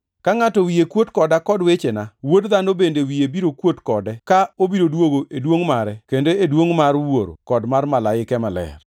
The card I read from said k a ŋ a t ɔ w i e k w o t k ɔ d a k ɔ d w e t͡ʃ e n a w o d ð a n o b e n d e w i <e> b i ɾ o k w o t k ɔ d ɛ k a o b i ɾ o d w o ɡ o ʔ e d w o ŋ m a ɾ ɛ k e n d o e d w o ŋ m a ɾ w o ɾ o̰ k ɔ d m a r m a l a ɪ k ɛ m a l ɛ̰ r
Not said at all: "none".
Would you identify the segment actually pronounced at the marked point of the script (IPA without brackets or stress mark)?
e